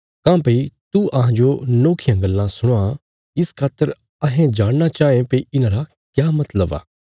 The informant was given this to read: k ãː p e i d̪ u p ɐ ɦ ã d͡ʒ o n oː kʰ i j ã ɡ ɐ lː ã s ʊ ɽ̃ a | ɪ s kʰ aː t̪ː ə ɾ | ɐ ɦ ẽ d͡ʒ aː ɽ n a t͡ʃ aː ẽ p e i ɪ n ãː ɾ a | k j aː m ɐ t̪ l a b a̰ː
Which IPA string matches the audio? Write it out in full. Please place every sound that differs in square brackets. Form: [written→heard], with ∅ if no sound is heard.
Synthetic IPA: k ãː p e i [d̪→t̪] u [p→∅] ɐ ɦ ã d͡ʒ o n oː kʰ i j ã ɡ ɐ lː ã s ʊ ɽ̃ a | ɪ s kʰ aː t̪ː ə ɾ | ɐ ɦ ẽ d͡ʒ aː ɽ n a t͡ʃ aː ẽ p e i ɪ n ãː ɾ a | k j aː m ɐ t̪ l [a→ə] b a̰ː